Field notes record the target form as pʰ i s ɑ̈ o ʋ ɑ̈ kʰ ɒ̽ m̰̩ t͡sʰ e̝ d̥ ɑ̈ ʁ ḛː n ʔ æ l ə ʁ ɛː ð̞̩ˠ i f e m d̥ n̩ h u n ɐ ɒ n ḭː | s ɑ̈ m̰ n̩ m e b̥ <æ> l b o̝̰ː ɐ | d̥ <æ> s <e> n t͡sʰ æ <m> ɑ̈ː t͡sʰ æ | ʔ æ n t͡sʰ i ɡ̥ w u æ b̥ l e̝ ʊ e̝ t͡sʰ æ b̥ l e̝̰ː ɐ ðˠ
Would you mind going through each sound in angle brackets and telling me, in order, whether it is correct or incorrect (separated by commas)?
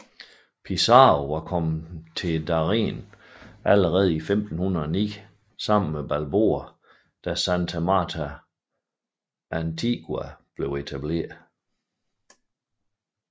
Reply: correct, correct, incorrect, correct